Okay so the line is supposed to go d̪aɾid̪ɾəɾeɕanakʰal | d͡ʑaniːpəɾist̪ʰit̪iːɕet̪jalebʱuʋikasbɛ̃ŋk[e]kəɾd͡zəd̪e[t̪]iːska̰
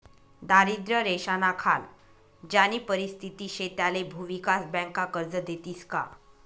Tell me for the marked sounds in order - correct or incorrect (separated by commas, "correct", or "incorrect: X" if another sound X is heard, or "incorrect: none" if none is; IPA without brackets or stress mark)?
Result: incorrect: a, correct